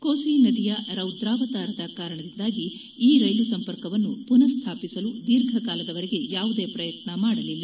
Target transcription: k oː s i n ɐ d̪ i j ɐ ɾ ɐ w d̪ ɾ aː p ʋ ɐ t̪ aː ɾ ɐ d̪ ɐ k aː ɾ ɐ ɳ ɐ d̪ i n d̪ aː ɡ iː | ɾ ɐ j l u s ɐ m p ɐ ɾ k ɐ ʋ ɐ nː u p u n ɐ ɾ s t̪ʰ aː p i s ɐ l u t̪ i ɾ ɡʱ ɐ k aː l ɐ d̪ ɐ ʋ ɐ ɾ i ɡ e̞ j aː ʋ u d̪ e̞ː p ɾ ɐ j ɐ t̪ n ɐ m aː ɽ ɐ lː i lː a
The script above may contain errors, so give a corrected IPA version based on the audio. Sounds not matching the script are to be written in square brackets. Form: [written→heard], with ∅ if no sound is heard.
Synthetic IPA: k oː s i n ɐ d̪ i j ɐ ɾ ɐ w d̪ ɾ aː [p→∅] ʋ ɐ t̪ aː ɾ ɐ d̪ ɐ k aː ɾ ɐ ɳ ɐ d̪ i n d̪ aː ɡ iː | ɾ ɐ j l u s ɐ m p ɐ ɾ k ɐ ʋ ɐ nː u p u n ɐ ɾ s t̪ʰ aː p i s ɐ l u [t̪→d̪] i ɾ ɡʱ ɐ k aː l ɐ d̪ ɐ ʋ ɐ ɾ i ɡ e̞ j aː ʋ u d̪ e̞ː p ɾ ɐ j ɐ t̪ n ɐ m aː ɽ ɐ [lː→l] i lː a